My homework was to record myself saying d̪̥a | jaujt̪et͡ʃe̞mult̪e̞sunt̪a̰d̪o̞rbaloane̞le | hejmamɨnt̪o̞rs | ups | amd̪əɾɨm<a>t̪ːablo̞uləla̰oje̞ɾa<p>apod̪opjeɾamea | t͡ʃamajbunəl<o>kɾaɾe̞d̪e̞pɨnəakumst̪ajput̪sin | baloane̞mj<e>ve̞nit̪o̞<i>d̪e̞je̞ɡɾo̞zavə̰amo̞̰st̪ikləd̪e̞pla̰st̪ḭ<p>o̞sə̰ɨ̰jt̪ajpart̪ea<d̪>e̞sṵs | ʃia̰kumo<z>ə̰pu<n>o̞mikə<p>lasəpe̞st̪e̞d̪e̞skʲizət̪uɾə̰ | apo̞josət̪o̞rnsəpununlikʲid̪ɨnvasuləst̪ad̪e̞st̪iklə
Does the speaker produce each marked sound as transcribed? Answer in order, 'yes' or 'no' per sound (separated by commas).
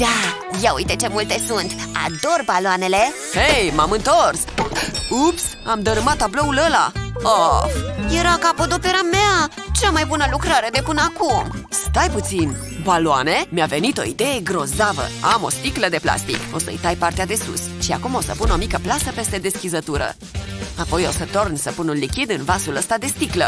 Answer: yes, no, no, no, yes, no, yes, no, yes, yes